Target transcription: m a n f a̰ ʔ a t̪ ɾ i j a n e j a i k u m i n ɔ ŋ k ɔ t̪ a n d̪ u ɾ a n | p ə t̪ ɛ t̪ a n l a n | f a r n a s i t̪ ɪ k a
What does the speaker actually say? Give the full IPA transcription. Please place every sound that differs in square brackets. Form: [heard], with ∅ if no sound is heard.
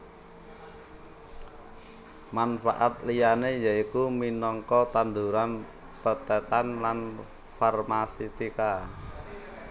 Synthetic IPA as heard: m a n f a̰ ʔ a t̪ [l] i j a n e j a i k u m i n ɔ ŋ k ɔ t̪ a n d̪ u ɾ a n | p ə t̪ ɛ t̪ a n l a n | f a r [m] a s i t̪ [i] k a